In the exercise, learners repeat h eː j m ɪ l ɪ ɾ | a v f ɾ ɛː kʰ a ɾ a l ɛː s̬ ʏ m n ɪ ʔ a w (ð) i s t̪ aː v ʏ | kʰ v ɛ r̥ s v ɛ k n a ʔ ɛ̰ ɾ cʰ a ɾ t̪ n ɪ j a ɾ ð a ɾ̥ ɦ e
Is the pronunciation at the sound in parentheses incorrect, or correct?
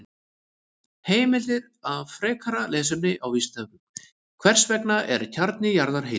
incorrect